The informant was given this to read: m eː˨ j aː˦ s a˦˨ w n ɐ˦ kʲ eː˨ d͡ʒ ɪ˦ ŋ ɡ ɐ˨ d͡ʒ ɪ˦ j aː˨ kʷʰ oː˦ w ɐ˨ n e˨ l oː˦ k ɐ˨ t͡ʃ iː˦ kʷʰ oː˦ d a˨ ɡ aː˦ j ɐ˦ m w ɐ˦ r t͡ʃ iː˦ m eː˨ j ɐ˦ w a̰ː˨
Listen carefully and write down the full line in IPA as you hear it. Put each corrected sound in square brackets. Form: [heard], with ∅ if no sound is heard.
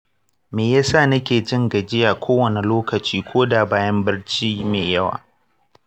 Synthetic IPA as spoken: m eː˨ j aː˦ s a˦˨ [∅] n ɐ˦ kʲ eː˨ d͡ʒ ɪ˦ ŋ ɡ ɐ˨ d͡ʒ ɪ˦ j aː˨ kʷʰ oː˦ w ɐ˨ n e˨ l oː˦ k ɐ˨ t͡ʃ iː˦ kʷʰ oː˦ d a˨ [b] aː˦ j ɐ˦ m [b] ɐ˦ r t͡ʃ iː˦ m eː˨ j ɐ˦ w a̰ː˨